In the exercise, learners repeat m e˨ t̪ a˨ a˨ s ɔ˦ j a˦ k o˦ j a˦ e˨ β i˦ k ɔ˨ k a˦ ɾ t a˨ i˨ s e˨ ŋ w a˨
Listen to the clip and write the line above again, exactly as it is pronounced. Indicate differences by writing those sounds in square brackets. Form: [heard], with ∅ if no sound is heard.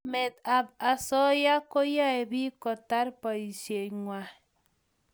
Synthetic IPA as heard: m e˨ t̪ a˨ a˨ s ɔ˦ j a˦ k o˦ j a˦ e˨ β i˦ k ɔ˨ [t] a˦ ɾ [p] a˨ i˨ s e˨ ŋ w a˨